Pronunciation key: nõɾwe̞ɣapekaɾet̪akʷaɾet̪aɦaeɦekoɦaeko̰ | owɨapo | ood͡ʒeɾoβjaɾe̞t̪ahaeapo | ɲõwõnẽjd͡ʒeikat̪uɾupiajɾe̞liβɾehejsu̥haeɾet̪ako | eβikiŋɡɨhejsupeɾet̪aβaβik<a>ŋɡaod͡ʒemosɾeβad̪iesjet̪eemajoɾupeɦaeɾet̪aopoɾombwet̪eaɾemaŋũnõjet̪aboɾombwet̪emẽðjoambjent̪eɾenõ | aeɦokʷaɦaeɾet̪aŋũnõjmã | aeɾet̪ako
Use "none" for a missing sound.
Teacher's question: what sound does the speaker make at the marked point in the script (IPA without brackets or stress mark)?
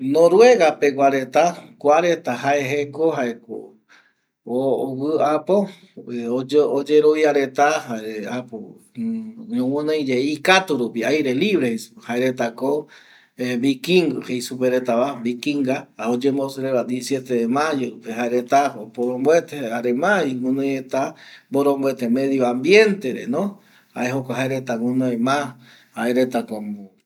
i